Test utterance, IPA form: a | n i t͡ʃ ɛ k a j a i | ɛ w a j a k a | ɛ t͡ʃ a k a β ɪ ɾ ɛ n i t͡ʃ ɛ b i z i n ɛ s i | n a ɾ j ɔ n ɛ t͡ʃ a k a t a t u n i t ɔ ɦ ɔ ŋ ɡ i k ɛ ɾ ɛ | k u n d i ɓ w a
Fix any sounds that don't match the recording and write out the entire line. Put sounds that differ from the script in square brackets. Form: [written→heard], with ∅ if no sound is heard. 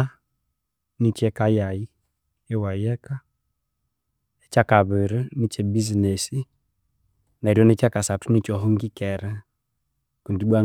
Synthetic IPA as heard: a | n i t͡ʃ ɛ k a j a i | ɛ w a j [a→ɛ] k a | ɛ t͡ʃ a k a β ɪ ɾ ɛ n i t͡ʃ ɛ b i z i n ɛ s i | n a ɾ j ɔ n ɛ t͡ʃ a k a [t→s] a t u n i [t→t͡ʃ] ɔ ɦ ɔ ŋ ɡ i k ɛ ɾ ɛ | k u n d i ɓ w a

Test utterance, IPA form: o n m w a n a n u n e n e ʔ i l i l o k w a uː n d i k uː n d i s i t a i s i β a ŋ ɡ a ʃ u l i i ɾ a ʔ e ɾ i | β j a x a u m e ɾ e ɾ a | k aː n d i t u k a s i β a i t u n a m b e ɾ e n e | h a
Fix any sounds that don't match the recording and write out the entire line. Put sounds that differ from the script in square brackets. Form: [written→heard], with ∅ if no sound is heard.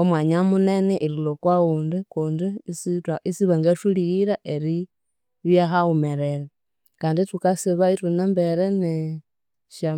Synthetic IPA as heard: o [n→∅] m w a [n→ɲ] a [n→m] u n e n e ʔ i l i l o k w a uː n d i k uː n d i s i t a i s i β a ŋ ɡ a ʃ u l i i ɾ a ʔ e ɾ i | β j a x a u m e ɾ e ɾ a | k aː n d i t u k a s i β a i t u n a m b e ɾ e n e | [h→ʃ] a

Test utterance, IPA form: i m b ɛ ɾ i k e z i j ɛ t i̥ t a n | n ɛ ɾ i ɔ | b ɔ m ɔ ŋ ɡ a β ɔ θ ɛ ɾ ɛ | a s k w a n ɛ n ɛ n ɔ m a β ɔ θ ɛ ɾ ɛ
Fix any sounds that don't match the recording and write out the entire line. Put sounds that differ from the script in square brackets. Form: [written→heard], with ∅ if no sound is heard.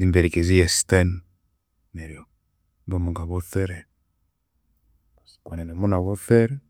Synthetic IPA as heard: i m b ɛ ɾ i k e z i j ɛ [t→s] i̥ t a n | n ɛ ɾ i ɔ | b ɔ m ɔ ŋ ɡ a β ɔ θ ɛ ɾ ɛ | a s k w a n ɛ n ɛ [n→m] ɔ [m→n] a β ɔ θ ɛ ɾ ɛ

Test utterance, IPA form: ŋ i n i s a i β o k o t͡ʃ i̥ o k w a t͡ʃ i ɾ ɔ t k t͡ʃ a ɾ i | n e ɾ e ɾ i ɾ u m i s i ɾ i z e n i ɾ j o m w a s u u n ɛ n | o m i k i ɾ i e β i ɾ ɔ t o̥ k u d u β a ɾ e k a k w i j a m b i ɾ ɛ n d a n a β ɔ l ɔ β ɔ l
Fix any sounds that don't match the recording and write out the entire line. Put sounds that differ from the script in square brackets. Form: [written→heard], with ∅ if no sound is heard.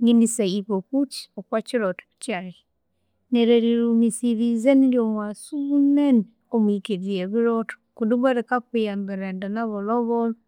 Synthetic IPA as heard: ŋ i n i s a i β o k [o→u] t͡ʃ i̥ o k w a t͡ʃ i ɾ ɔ t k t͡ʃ a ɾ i | n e ɾ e ɾ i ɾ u m i s i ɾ i z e n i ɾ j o m w a s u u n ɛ n | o m i k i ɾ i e β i ɾ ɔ t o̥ k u d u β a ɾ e k a k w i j a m b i ɾ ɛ n d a n a β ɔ l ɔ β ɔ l

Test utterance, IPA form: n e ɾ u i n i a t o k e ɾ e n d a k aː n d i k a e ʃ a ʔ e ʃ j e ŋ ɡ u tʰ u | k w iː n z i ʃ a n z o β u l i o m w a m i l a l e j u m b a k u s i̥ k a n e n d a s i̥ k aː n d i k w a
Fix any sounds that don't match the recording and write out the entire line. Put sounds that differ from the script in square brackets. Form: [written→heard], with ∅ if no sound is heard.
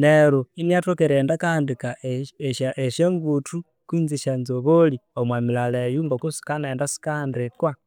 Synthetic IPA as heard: n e ɾ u i n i a t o k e ɾ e n d a k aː n d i k a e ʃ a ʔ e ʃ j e ŋ ɡ u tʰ u | k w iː n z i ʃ a n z o β [u→o] l i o m w a m i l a l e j u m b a k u s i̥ k a n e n d a s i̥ k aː n d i k w a

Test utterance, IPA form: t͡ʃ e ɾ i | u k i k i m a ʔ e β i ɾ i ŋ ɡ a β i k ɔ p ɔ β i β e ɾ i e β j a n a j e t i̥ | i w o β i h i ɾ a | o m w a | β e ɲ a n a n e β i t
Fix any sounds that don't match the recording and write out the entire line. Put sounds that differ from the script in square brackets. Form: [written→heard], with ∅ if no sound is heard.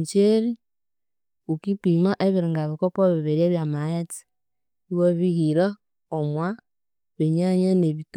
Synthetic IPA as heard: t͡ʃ e ɾ i | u k i [k→p] i m a ʔ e β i ɾ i ŋ ɡ a β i k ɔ p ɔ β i β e ɾ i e β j a [n→m] a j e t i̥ | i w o β i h i ɾ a | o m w a | β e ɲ a [n→ɲ] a n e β i t

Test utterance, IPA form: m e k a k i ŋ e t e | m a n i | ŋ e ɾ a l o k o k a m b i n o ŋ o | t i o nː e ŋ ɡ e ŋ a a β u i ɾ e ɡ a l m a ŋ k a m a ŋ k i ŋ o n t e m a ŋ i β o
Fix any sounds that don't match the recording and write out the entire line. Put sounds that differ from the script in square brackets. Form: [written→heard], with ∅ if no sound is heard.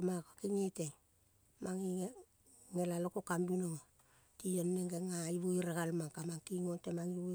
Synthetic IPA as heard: m [e→a] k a k i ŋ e t e | m a [n→ŋ] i | ŋ e [ɾ→l] a l o k o k a m b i n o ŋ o | t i o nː e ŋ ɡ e ŋ a [a→i] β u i ɾ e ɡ a l m a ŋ k a m a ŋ k i ŋ o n t e m a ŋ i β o

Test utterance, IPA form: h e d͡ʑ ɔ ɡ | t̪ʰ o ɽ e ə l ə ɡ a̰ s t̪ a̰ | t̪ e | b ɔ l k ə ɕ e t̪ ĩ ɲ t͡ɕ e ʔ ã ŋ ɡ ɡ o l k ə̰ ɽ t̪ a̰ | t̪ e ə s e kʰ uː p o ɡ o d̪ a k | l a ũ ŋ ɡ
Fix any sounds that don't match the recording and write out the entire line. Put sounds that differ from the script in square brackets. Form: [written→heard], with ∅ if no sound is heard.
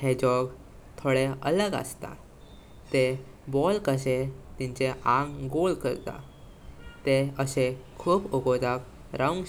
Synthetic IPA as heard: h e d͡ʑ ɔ ɡ | t̪ʰ o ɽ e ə l ə ɡ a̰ s t̪ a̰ | t̪ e | b ɔ l k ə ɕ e t̪ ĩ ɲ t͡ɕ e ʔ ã ŋ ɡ ɡ o l k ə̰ [ɽ→ɾ] t̪ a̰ | t̪ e ə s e kʰ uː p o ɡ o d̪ a k | [l→ɾ] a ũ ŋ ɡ

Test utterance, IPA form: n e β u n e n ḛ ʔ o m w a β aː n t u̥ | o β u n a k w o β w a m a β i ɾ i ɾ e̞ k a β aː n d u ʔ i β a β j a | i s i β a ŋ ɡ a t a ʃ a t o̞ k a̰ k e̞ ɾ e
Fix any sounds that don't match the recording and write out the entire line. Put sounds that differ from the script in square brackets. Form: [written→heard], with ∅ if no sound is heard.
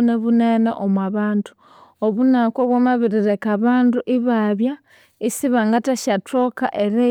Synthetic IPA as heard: n e β u n e n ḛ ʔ o m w a β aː n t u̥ | o β u n a k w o β w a m a β i ɾ i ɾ e̞ k a β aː n d u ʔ i β a β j a | i s i β a ŋ ɡ a t a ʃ a t o̞ k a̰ [k→ʔ] e̞ ɾ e

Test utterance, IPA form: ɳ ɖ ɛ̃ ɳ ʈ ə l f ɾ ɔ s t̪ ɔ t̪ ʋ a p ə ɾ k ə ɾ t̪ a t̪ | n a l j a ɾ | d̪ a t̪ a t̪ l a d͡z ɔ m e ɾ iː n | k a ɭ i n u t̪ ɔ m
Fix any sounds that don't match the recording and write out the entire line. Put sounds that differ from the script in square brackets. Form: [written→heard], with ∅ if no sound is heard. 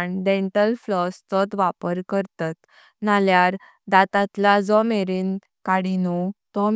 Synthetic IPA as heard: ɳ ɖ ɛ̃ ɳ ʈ ə l f [ɾ→l] ɔ s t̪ ɔ t̪ ʋ a p ə ɾ k ə ɾ t̪ a t̪ | n a l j a ɾ | d̪ a t̪ a t̪ l a d͡z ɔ m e ɾ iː n | k a [ɭ→ɽ] i n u t̪ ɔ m

